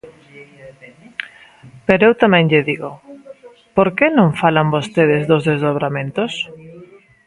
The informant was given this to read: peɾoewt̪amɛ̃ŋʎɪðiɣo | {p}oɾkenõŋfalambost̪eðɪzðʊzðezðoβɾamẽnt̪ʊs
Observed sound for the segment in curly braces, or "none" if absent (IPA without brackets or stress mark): p